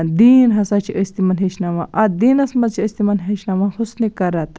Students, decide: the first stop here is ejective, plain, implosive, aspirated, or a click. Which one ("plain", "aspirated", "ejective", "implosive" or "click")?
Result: plain